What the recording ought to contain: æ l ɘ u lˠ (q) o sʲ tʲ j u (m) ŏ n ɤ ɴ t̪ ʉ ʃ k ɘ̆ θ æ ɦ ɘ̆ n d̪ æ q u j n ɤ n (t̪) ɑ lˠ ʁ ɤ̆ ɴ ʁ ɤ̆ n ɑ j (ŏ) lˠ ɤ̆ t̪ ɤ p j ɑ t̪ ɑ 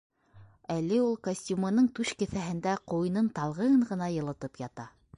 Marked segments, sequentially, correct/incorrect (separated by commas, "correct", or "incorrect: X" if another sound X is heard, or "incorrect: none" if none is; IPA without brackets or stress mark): incorrect: k, correct, correct, incorrect: ɤ̆